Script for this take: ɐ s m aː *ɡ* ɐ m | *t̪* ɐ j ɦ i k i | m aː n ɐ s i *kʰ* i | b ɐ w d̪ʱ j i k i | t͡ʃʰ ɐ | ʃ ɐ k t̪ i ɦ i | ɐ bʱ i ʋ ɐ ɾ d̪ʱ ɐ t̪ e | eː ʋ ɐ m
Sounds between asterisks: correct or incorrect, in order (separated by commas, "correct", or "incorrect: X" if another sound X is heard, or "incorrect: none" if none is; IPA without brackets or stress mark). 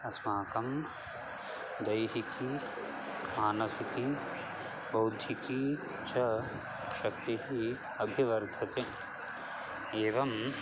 incorrect: k, incorrect: d̪, incorrect: k